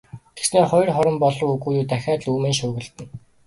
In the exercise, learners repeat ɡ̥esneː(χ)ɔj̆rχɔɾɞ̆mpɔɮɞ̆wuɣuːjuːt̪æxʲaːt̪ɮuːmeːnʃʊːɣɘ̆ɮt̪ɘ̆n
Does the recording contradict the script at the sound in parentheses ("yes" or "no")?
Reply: no